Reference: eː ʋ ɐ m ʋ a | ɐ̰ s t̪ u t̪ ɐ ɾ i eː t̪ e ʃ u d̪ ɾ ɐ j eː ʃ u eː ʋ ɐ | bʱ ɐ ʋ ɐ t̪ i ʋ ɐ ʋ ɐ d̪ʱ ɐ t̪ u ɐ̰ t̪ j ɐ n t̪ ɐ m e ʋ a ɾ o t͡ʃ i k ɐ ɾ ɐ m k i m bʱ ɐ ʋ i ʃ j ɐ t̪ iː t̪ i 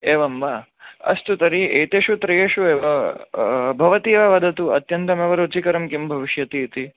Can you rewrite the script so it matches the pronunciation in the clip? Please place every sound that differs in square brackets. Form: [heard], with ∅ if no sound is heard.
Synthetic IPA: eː ʋ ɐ m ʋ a | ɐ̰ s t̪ u t̪ ɐ ɾ i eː t̪ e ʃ u [t̪] ɾ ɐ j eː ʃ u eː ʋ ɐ | bʱ ɐ ʋ ɐ t̪ i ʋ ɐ ʋ ɐ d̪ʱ ɐ t̪ u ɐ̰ t̪ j ɐ n t̪ ɐ m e ʋ [ɐ] ɾ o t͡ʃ i k ɐ ɾ ɐ m k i m bʱ ɐ ʋ i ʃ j ɐ t̪ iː t̪ i

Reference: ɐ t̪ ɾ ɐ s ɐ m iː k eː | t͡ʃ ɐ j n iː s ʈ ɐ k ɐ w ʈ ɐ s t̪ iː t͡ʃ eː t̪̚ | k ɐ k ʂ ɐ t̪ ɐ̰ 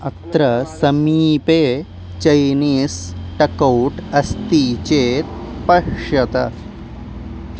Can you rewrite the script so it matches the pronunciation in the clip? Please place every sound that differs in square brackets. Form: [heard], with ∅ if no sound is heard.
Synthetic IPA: ɐ t̪ ɾ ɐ s ɐ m iː [p] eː | t͡ʃ ɐ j n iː s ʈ ɐ k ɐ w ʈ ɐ s t̪ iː t͡ʃ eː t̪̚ | [p] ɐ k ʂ ɐ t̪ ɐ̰

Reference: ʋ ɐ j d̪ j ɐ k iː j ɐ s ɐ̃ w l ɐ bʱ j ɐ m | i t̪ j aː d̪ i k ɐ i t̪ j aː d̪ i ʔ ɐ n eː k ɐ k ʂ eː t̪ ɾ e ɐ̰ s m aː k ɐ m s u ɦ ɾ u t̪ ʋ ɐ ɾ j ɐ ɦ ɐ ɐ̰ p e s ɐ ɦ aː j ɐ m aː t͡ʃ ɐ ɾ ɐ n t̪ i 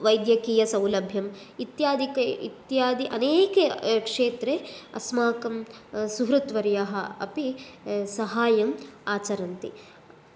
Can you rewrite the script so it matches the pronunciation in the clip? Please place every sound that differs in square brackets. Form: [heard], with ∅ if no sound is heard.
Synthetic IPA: ʋ ɐ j d̪ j ɐ k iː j ɐ s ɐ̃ w l ɐ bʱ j ɐ m | i t̪ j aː d̪ i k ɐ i t̪ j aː d̪ i ʔ ɐ n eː k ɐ k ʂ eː t̪ ɾ e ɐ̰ s m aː k ɐ m s u ɦ ɾ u t̪ ʋ ɐ ɾ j ɐ ɦ ɐ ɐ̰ p [i] s ɐ ɦ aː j ɐ m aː t͡ʃ ɐ ɾ ɐ n t̪ i

